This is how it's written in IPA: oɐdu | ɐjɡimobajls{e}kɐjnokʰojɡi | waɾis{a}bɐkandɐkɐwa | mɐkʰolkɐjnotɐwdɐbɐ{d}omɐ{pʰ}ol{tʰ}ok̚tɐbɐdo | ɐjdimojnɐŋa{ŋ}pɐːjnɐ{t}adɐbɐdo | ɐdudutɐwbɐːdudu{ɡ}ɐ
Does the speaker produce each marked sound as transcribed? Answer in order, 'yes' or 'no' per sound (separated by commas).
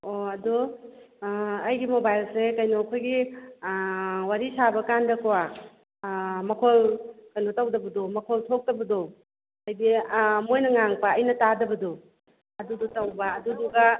yes, yes, yes, no, yes, yes, yes, yes